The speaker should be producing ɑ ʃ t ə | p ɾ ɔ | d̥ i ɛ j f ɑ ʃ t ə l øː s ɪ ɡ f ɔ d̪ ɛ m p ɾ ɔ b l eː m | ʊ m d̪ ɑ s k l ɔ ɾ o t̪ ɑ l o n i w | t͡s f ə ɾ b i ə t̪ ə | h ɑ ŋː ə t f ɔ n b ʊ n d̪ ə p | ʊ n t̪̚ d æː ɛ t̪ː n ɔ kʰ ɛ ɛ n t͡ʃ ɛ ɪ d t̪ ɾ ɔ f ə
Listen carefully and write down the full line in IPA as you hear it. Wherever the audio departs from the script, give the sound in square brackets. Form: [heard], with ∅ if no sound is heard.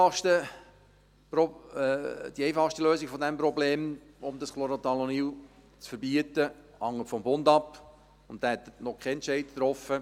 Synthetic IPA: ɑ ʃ t ə | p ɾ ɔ | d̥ i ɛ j f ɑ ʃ t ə l øː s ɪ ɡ f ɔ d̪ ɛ m p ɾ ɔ b l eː m | ʊ m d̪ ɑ s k l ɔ ɾ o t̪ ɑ l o n i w | t͡s f ə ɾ b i ə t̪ ə | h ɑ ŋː ə t f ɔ [m] b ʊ n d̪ [ɑ] p | ʊ n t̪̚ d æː ɛ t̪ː n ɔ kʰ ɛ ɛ n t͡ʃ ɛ ɪ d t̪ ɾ ɔ f ə